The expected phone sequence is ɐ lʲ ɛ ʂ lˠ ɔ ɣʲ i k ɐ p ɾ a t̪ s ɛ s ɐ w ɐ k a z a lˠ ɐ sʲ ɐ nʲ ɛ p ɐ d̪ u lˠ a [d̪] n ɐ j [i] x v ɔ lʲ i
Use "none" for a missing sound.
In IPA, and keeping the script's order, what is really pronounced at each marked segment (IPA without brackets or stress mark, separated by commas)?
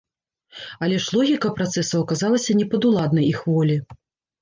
d̪, i